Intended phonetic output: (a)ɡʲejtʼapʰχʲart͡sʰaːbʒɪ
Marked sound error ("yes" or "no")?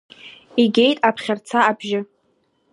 yes